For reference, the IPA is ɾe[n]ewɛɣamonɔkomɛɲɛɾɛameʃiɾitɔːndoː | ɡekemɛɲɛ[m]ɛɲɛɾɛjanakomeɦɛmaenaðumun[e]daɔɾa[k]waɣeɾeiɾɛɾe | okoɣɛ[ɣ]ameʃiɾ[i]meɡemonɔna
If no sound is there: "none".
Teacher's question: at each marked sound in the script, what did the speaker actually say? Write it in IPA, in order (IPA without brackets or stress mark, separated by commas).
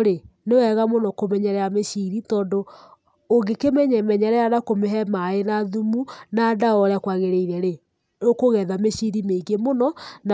n, m, a, k, ð, i